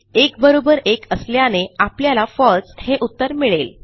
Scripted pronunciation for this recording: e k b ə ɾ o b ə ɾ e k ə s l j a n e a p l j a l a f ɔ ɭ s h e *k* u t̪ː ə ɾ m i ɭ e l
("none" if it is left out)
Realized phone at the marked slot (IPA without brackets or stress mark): ʔ